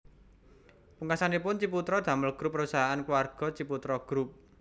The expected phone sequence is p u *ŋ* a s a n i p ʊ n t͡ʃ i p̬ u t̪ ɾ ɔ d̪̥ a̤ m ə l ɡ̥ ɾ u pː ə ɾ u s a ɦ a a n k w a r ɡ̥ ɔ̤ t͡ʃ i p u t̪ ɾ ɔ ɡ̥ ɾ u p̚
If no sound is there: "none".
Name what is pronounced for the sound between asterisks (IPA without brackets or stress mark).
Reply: ŋ